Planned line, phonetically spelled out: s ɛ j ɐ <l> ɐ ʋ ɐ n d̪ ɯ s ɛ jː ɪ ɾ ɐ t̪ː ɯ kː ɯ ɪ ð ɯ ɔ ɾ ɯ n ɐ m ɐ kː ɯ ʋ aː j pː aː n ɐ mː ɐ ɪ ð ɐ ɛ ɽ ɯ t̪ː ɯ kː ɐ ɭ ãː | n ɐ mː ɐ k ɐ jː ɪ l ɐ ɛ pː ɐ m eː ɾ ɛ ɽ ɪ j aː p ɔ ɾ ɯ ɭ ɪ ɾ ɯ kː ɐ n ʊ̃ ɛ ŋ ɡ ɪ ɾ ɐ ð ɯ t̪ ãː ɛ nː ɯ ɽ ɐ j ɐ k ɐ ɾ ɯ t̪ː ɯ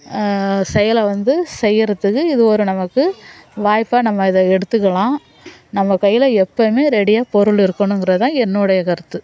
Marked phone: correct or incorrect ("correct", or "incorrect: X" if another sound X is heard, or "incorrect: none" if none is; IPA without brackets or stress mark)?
correct